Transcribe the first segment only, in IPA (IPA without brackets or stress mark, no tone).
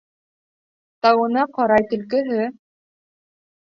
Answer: t̪